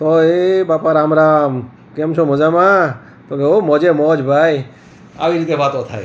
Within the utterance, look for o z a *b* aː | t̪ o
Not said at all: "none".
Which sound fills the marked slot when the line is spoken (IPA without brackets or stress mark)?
m